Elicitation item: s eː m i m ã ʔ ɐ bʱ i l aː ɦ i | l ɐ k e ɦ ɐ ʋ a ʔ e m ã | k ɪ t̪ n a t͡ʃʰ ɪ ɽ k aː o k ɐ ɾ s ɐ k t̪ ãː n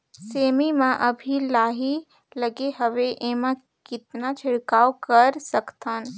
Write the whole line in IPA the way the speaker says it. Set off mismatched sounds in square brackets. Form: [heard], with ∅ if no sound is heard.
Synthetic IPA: s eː m i m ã ʔ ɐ bʱ i l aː ɦ i | l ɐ [ɡ] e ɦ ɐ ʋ [e] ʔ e m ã | k ɪ t̪ n a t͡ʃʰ ɪ ɽ k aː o k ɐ ɾ s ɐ k t̪ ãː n